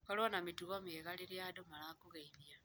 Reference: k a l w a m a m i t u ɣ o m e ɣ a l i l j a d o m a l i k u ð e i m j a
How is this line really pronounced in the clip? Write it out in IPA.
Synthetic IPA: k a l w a n a m i t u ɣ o m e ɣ a l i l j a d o m a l a k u ɣ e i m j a